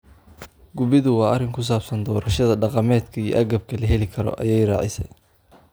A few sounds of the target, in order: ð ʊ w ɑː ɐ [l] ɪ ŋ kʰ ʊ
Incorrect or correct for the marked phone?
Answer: incorrect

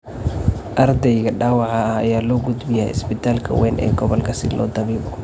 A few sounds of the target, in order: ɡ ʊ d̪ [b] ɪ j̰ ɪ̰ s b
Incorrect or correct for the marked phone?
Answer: correct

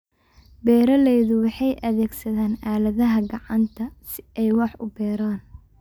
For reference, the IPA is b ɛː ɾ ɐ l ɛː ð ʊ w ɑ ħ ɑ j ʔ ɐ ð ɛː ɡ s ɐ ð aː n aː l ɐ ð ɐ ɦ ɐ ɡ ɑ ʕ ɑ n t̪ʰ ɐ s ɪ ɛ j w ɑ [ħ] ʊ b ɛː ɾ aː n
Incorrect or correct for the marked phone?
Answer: correct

